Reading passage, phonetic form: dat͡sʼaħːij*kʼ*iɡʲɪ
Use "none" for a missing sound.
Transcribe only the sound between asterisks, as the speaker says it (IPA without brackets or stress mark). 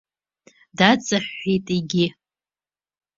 tʼ